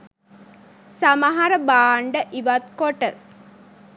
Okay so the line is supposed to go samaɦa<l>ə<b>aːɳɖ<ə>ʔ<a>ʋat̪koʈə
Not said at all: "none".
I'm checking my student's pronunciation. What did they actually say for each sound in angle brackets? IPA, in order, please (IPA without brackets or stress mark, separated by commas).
ɾ, b, ə, i